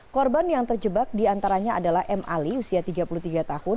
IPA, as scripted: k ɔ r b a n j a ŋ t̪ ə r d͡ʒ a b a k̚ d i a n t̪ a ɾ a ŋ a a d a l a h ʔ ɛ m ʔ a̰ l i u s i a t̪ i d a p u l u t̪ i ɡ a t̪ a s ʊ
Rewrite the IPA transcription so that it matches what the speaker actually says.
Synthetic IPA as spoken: k ɔ r b a n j a ŋ t̪ ə r d͡ʒ ə b a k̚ d i a n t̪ a ɾ a ɲ a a d a l a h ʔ ɛ m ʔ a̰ l i u s i a t̪ i ɡ a p u l u t̪ i ɡ a t̪ a h ʊ